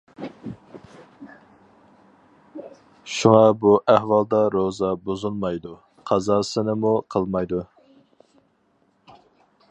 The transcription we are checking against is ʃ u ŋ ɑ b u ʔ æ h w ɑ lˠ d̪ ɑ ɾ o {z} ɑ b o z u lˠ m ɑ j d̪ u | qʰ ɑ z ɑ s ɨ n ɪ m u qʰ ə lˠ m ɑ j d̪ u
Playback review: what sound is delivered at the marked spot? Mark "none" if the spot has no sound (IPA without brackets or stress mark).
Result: z